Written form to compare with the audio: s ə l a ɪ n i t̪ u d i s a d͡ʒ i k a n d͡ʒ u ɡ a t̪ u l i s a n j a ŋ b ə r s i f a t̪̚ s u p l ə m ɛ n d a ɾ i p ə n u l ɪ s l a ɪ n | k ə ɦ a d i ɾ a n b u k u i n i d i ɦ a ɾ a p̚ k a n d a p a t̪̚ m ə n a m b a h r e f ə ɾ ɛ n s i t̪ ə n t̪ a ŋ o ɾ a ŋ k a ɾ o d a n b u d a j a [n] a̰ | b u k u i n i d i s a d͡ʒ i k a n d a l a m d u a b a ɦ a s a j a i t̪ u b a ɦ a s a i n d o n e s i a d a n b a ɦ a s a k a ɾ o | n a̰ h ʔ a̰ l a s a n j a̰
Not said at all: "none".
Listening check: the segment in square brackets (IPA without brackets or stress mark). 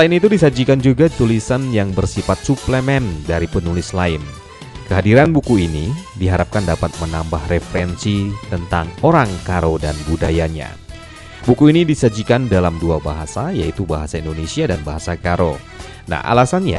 ɲ